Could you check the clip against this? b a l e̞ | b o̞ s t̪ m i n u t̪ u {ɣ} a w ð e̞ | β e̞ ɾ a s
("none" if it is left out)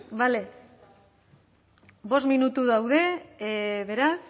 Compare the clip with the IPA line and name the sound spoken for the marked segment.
ð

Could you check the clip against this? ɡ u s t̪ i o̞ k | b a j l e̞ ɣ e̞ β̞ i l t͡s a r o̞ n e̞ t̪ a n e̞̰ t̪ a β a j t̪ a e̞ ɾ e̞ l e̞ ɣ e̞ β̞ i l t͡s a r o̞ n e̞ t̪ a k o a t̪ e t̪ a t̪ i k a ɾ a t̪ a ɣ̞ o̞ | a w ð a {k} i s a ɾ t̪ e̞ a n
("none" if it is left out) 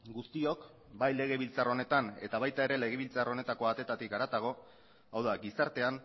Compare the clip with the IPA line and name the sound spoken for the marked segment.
ɡ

